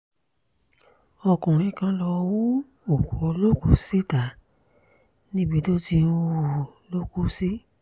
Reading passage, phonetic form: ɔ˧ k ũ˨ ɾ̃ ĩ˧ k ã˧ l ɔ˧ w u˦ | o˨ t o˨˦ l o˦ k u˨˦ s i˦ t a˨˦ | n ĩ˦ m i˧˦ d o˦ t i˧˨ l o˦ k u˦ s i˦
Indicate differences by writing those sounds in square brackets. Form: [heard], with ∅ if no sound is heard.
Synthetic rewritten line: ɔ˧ k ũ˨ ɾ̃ ĩ˧ k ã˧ l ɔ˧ w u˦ | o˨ [k] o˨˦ l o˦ k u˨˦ s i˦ t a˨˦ | n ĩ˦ [b] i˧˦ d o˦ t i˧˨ l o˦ k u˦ s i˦